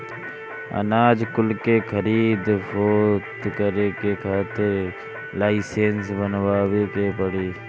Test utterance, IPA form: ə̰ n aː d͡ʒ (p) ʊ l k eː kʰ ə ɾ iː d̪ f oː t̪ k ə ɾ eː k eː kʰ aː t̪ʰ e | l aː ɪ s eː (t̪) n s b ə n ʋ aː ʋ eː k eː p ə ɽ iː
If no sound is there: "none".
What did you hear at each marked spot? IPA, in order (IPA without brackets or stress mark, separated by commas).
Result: k, none